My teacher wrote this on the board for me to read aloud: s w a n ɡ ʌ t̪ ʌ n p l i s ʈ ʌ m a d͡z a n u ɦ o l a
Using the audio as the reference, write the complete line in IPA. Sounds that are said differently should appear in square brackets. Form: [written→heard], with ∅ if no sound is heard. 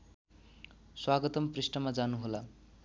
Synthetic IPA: s w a [n→∅] ɡ ʌ t̪ ʌ [n→m] p [l→r] i s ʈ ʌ m a d͡z a n u ɦ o l a